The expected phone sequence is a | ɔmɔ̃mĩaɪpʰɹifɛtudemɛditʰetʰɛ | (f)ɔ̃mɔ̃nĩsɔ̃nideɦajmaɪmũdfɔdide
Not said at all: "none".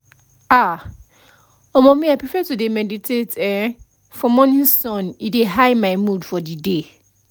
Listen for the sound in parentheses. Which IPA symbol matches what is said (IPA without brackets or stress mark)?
f